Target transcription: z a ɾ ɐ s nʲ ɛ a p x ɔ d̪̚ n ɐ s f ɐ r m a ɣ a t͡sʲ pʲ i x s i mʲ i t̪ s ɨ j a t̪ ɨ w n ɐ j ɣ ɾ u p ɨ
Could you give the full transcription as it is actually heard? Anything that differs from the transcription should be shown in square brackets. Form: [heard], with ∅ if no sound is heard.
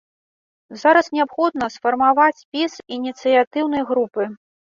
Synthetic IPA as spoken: z a ɾ ɐ s nʲ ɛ a p x ɔ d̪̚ n ɐ s f ɐ r m a [v] a t͡sʲ pʲ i [∅] s i [nʲ] i t̪ s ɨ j a t̪ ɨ w n ɐ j ɣ ɾ u p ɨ

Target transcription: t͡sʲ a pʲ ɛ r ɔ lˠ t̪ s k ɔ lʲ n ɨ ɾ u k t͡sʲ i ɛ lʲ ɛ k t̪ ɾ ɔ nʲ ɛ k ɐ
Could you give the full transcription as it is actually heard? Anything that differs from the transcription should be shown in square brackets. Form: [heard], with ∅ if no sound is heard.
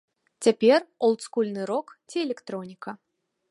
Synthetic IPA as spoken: t͡sʲ a pʲ ɛ r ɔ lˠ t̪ s k [u] lʲ n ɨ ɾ [ɔ] k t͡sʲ i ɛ lʲ ɛ k t̪ ɾ ɔ nʲ [i] k ɐ

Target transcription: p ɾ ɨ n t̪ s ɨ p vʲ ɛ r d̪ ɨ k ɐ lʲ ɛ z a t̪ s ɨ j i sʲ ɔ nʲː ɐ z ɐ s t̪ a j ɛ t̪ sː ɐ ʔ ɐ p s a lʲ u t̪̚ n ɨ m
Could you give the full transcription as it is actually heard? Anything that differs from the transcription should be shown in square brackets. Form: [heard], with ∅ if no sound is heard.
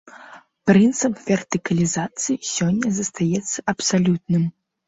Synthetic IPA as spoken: p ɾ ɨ n t̪ s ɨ p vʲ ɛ r [t̪] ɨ k ɐ lʲ [i] z a t̪ s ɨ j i sʲ ɔ nʲː ɐ z ɐ s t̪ a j ɛ t̪ sː ɐ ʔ ɐ p s a lʲ u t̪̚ n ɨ m

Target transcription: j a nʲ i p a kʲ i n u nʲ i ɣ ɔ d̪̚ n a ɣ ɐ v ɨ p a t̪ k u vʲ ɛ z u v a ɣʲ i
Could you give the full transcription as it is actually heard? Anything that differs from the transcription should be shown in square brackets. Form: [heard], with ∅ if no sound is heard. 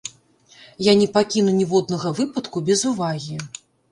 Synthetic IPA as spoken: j a nʲ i p a kʲ i n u nʲ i [v] ɔ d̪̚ n [ɐ] ɣ ɐ v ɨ p [ɐ] t̪ k u [bʲ] ɛ z u v a ɣʲ i

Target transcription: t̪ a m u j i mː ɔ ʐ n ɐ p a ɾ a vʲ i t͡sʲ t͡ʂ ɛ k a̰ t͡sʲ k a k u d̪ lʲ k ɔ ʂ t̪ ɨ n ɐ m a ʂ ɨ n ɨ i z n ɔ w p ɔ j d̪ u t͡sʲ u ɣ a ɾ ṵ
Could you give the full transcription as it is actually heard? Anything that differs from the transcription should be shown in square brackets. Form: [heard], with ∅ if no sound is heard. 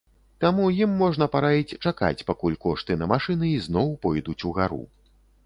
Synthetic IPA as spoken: t̪ a m u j i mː ɔ ʐ n ɐ p a ɾ a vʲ i t͡sʲ t͡ʂ [a] k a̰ t͡sʲ [p] a k u [∅] lʲ k ɔ ʂ t̪ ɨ n ɐ m a ʂ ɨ n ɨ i z n ɔ w p ɔ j d̪ u t͡sʲ u ɣ a ɾ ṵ

